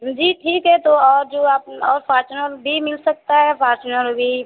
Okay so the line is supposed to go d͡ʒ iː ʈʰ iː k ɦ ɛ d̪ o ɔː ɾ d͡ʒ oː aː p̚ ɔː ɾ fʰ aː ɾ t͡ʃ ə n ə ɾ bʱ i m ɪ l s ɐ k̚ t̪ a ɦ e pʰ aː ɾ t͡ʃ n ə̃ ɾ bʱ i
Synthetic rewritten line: d͡ʒ iː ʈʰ iː k ɦ ɛ t̪ o ɔː ɾ d͡ʒ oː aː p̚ ɔː ɾ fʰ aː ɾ t͡ʃ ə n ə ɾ bʱ i m ɪ l s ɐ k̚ t̪ a ɦ ɛ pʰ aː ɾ t͡ʃ n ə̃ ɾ bʱ i

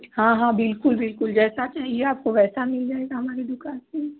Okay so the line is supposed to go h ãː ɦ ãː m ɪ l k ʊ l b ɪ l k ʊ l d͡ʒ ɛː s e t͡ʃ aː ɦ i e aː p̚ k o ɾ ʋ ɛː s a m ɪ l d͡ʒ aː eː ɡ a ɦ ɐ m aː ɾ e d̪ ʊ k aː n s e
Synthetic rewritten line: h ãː ɦ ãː b ɪ l k ʊ l b ɪ l k ʊ l d͡ʒ ɛː s a t͡ʃ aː ɦ i e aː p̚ k o ʋ ɛː s a m ɪ l d͡ʒ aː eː ɡ a ɦ ɐ m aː ɾ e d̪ ʊ k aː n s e

